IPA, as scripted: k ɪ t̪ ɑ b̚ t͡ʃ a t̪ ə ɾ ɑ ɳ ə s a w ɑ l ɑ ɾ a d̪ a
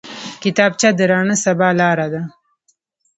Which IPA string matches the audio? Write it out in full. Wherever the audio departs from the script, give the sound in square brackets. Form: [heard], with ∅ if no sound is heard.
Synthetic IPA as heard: k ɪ t̪ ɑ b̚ t͡ʃ a [d̪] ə ɾ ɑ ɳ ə s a [b] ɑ l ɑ ɾ a d̪ a